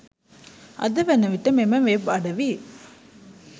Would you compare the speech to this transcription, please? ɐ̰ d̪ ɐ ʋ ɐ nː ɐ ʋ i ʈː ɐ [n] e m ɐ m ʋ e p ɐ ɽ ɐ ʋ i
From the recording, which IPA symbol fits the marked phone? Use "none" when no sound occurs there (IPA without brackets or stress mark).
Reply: m